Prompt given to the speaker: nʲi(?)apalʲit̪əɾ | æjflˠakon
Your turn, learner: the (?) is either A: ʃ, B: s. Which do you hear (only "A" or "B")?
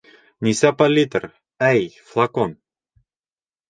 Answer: B